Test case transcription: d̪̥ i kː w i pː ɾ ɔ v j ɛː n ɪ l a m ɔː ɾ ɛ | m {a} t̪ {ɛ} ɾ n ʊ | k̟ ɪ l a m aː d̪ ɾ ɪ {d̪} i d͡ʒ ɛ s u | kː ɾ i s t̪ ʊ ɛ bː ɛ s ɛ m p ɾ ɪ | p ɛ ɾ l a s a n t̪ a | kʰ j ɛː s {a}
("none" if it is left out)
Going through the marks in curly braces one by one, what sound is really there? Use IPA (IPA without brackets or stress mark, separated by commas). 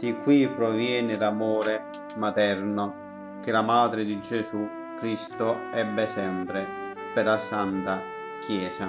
a, ɛ, d̪, a